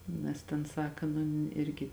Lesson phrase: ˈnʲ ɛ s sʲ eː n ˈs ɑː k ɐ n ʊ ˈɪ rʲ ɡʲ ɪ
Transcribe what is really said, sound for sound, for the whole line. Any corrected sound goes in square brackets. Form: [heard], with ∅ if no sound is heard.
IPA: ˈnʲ ɛ s [tʲ] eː n ˈs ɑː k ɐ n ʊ ˈɪ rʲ ɡʲ ɪ